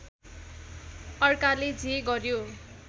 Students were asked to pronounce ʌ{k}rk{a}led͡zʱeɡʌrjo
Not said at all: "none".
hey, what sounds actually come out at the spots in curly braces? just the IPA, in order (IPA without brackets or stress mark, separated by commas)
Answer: none, a